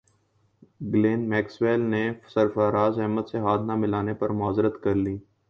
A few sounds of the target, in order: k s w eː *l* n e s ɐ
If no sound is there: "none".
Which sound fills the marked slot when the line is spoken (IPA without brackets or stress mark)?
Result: l